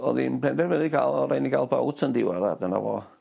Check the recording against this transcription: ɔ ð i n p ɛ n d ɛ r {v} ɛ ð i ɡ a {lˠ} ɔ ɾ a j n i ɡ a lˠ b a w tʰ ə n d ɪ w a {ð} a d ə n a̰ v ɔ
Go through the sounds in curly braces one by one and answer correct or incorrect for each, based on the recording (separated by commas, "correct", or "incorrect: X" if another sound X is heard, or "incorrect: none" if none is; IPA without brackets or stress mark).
correct, correct, correct